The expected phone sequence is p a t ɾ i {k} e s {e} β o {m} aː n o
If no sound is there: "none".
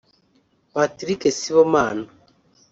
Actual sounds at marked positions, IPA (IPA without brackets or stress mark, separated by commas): k, i, m